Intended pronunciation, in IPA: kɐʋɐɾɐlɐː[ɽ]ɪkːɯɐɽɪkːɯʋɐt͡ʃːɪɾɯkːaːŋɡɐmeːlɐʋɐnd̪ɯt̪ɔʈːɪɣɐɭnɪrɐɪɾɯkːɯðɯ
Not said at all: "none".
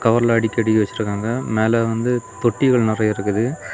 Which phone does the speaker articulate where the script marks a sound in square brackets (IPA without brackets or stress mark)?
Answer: ɽ